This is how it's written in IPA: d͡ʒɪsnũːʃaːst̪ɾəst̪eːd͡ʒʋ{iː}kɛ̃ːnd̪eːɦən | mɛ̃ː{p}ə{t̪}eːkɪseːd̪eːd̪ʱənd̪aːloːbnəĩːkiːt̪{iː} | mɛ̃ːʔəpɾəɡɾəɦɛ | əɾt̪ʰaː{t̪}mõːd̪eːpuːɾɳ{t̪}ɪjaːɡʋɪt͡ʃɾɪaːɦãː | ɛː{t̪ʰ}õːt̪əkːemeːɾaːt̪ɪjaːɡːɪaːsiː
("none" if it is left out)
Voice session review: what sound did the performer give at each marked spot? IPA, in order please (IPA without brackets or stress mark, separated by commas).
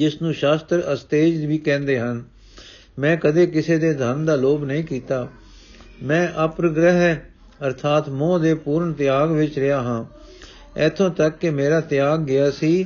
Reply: iː, k, d̪, aː, t̪, t̪, t̪ʰ